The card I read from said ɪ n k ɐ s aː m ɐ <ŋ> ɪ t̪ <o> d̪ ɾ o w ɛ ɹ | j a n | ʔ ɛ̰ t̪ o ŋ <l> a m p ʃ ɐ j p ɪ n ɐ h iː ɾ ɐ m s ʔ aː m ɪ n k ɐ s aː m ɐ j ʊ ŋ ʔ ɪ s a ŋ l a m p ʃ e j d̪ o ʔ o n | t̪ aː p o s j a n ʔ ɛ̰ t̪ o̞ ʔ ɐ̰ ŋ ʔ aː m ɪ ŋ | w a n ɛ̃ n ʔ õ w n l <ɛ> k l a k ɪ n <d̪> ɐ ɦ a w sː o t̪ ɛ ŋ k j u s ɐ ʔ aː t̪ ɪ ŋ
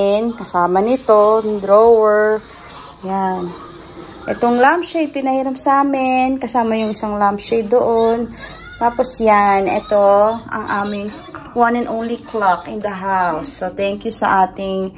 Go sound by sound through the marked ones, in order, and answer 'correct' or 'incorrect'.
incorrect, correct, correct, incorrect, correct

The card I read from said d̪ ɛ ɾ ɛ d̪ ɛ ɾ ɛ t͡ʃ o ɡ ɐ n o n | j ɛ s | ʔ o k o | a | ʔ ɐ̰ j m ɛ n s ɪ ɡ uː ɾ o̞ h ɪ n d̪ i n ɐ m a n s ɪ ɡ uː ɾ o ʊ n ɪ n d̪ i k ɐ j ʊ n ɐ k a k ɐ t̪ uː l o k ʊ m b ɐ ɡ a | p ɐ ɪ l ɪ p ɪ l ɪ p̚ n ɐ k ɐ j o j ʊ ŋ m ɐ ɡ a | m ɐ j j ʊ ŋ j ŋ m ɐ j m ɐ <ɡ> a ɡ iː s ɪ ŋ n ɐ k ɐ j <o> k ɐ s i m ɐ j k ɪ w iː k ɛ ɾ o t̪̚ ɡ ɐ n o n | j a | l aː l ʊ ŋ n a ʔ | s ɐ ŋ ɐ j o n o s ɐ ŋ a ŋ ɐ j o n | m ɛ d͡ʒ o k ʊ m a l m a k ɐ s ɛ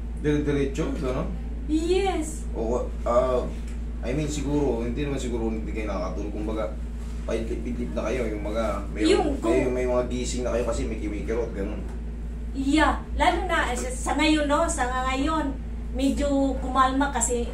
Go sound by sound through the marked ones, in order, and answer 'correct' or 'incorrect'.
incorrect, correct

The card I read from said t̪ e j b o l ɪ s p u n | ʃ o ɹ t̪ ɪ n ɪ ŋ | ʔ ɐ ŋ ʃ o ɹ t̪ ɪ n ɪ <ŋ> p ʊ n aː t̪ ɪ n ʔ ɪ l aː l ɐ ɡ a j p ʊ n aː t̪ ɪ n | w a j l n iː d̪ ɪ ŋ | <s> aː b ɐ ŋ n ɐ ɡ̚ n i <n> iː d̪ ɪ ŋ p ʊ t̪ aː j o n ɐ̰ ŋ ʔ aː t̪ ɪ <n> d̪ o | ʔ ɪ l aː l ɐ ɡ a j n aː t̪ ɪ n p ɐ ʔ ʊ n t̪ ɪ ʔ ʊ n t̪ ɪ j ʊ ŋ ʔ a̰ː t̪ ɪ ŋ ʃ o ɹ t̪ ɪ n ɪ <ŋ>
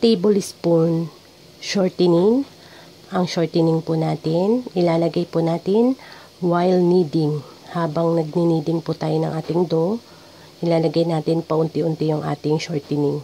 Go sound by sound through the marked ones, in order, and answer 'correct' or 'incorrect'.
correct, incorrect, correct, incorrect, correct

